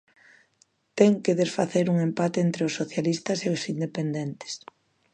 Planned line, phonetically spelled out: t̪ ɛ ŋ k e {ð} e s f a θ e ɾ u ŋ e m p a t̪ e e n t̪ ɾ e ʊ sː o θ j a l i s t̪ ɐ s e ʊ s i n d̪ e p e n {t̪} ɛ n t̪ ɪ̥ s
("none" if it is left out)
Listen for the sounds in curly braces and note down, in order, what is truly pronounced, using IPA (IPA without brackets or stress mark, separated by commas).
ð, d̪